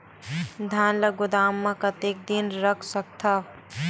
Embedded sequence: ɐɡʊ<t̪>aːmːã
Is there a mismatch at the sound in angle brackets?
yes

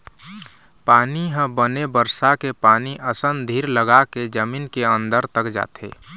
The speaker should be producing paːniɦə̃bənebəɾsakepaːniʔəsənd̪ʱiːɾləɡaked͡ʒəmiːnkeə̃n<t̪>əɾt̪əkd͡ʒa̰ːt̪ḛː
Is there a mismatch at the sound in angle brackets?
yes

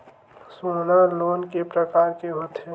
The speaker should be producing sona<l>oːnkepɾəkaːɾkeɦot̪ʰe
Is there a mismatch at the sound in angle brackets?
no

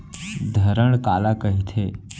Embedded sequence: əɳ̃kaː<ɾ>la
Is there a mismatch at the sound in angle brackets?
yes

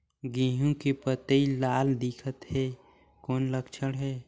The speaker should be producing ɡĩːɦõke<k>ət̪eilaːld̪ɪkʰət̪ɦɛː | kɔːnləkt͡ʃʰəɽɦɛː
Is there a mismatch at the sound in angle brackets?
yes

